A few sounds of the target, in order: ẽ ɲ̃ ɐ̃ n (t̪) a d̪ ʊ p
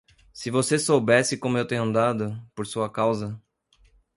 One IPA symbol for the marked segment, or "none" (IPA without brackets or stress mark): d̪